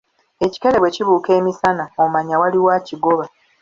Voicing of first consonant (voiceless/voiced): voiceless